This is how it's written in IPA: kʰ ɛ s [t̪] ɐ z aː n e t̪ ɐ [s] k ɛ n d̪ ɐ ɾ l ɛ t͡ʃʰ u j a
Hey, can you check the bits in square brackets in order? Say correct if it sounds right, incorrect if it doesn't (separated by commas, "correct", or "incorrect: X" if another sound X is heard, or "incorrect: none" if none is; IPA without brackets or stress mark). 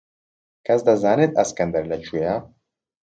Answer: incorrect: d̪, correct